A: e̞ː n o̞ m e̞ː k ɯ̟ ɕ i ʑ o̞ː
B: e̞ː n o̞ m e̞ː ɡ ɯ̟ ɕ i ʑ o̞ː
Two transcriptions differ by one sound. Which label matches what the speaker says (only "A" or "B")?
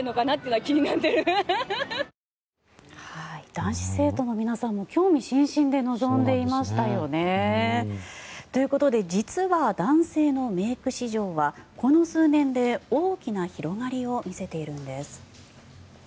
A